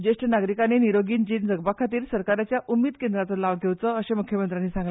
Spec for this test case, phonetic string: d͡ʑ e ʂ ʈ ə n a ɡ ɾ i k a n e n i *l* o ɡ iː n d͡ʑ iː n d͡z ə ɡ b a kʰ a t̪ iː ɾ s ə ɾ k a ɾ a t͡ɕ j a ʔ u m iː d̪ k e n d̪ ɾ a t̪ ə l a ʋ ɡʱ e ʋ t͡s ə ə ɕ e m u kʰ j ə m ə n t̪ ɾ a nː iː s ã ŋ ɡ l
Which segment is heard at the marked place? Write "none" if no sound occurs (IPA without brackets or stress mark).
ɾ